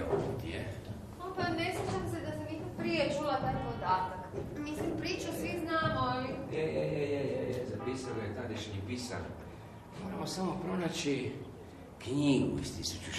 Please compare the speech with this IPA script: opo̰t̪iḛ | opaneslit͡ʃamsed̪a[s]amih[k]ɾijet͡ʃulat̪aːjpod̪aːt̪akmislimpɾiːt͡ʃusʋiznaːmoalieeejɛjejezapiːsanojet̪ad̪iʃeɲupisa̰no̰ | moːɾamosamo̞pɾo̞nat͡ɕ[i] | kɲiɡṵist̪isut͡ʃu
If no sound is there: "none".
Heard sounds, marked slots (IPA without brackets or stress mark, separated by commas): s, p, i